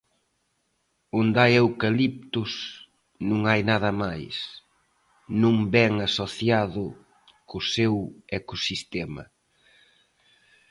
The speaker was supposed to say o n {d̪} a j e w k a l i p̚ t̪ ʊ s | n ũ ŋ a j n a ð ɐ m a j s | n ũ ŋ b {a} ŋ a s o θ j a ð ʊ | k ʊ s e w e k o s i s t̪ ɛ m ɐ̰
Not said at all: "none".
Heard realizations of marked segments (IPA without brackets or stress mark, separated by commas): d̪, ɛ